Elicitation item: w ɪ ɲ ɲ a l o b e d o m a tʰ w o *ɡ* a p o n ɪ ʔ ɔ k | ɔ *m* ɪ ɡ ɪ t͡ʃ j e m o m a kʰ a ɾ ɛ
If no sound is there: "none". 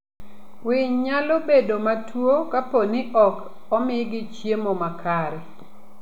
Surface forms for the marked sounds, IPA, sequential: k, m

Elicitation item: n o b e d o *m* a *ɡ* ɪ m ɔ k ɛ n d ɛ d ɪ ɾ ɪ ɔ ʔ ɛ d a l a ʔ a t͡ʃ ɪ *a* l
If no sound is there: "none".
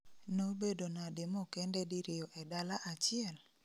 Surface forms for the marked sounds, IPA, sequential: n, d, ɛ

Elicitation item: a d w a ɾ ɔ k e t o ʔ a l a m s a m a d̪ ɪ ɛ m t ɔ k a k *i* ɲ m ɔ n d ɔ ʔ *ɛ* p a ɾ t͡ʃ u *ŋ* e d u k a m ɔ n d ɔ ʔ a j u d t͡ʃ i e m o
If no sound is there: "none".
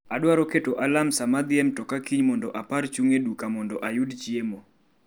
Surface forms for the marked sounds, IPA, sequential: i, a, ŋ

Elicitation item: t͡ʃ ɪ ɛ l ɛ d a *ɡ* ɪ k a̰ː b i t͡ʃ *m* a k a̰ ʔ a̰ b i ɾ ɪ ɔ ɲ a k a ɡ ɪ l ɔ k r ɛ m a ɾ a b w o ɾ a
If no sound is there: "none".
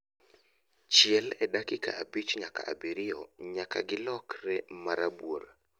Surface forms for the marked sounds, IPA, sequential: k, ɲ

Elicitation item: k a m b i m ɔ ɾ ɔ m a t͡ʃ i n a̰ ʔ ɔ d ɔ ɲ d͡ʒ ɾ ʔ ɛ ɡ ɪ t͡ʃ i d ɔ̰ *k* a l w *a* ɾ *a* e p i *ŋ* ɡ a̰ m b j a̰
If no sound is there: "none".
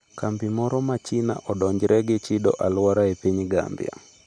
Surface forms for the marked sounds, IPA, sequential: ʔ, a, a, ɲ

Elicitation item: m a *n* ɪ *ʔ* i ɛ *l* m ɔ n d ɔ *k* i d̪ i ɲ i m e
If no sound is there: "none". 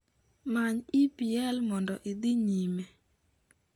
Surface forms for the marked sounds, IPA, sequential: ɲ, p, l, ʔ

